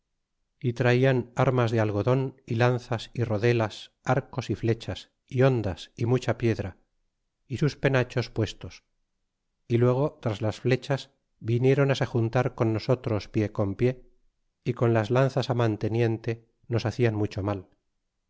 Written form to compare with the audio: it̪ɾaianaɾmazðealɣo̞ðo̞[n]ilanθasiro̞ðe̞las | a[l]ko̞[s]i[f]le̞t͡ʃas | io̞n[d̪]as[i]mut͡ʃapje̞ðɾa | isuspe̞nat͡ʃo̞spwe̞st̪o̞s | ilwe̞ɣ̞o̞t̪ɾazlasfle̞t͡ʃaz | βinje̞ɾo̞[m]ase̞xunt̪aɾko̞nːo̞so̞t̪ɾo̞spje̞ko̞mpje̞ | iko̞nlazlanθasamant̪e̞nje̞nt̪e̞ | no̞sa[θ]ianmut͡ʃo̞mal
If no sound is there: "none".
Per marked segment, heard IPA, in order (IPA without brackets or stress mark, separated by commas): n, ɾ, s, f, d̪, i, n, θ